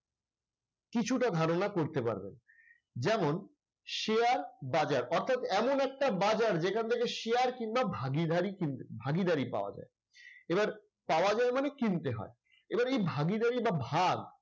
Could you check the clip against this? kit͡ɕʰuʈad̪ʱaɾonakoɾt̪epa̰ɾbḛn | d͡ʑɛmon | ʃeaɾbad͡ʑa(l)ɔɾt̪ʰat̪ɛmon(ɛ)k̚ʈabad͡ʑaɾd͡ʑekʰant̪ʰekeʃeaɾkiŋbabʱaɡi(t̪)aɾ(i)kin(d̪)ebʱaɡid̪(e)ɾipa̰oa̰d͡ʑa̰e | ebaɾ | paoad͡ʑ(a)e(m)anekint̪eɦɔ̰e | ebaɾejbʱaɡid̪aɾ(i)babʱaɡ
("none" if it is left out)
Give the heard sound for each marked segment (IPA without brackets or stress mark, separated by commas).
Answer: ɾ, ɛ, d̪, i, t̪, a, a, m, i